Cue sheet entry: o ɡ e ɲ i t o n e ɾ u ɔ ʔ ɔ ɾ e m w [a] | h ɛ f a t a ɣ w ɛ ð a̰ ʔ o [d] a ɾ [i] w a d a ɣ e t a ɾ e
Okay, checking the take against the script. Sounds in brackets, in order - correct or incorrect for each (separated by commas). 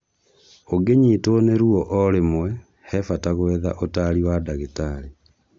incorrect, incorrect, correct